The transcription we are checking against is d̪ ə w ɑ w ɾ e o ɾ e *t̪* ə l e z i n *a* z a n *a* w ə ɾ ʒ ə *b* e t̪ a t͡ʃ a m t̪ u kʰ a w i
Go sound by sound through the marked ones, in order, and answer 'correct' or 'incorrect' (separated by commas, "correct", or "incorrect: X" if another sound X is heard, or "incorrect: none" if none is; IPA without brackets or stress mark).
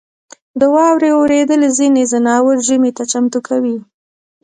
incorrect: d̪, incorrect: e, incorrect: ɑ, incorrect: m